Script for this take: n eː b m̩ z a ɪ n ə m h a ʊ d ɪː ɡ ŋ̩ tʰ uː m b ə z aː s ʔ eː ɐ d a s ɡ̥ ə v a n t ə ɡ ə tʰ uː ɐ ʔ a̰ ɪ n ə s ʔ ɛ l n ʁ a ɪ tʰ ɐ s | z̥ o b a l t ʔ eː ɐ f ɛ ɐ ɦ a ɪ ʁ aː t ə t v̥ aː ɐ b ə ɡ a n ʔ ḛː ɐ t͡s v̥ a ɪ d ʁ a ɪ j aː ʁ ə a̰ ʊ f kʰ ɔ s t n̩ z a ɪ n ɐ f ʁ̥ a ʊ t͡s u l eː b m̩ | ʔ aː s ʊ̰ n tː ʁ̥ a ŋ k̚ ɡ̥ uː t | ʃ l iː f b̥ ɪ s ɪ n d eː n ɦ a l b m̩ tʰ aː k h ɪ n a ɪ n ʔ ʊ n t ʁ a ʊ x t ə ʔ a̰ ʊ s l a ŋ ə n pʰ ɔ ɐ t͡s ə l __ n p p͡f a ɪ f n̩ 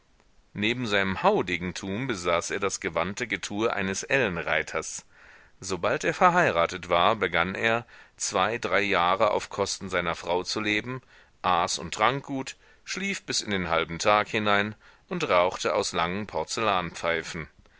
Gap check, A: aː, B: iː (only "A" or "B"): A